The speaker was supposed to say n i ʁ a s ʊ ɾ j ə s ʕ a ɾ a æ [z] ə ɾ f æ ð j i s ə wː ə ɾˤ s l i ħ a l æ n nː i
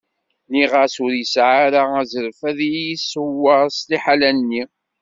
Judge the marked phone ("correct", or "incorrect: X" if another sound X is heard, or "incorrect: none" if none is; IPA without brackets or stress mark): correct